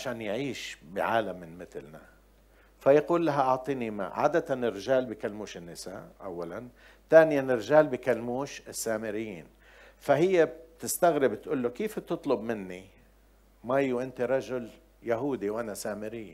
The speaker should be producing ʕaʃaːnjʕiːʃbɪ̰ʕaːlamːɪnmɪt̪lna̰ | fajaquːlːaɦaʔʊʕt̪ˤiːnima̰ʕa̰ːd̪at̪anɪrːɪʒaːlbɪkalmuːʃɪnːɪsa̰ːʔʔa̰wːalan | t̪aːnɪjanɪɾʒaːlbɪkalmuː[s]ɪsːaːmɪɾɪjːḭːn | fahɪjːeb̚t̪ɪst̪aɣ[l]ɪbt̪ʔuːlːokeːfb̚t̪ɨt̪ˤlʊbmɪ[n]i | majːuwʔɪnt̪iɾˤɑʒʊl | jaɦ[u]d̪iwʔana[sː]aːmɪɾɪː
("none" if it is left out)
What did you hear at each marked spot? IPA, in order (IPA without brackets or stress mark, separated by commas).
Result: ʃ, ɾ, nː, uː, s